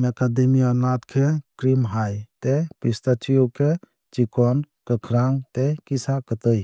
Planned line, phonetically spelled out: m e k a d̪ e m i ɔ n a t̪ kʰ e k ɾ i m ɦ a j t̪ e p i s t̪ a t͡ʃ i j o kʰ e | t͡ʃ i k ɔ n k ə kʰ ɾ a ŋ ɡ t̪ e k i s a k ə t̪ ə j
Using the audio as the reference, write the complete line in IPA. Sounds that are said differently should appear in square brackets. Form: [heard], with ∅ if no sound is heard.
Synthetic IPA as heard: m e k a d̪ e m i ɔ n a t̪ kʰ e k ɾ i m ɦ a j t̪ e p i s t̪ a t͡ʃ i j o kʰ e | t͡ʃ i k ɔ n k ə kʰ ɾ a ŋ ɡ t̪ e k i s a k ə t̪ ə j